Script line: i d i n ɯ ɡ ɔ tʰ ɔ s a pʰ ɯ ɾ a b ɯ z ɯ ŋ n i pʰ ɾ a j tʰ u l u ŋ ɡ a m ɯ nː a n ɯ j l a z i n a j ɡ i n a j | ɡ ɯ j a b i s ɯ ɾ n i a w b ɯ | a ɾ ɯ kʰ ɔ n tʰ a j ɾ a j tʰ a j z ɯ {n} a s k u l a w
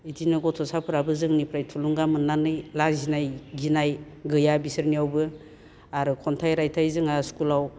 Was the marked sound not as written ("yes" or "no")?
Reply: yes